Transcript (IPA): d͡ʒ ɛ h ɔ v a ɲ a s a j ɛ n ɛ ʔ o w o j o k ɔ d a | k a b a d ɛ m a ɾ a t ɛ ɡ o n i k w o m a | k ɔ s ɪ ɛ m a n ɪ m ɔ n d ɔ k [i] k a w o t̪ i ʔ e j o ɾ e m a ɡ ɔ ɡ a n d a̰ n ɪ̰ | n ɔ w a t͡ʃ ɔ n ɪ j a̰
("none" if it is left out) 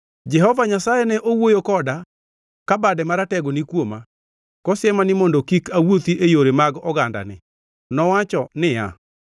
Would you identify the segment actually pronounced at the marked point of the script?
i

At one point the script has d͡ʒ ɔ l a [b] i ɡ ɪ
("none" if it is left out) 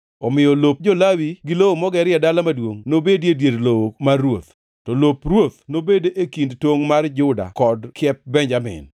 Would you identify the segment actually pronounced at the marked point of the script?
w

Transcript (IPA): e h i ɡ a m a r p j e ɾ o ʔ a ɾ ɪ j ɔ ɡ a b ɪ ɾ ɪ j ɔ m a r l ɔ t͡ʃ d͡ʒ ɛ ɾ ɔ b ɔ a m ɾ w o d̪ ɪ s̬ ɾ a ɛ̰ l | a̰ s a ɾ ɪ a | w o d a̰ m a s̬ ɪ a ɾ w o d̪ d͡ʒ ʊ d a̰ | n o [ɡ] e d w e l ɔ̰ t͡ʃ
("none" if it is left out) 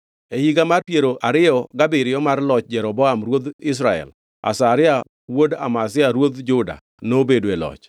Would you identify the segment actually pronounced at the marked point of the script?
b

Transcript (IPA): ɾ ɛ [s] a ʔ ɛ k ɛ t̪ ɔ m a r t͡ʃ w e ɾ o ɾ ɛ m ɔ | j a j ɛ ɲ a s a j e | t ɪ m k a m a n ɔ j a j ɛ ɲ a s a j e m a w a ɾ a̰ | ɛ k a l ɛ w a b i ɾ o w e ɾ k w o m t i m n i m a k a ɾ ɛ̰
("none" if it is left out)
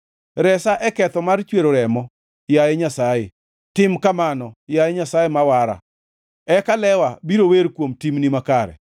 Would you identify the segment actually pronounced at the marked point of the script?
s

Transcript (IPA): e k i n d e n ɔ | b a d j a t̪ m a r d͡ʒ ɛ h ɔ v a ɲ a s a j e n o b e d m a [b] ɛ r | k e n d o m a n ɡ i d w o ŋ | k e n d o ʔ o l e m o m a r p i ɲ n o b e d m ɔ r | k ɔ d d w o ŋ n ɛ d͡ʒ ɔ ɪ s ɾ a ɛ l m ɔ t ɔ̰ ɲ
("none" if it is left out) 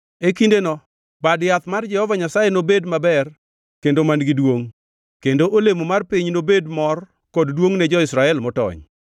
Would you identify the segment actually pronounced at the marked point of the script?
b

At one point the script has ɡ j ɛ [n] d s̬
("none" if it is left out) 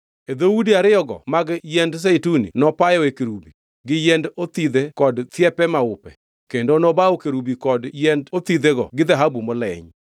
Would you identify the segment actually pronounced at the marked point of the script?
n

